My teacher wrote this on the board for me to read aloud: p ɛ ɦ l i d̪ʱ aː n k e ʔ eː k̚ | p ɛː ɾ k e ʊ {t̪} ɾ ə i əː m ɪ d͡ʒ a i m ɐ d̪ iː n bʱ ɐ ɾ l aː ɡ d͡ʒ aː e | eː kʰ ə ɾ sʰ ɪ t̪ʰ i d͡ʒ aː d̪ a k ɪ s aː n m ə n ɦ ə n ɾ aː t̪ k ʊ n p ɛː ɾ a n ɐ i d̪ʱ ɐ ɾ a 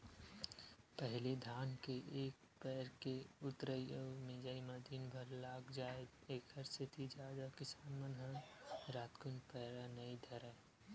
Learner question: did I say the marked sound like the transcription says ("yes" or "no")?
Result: yes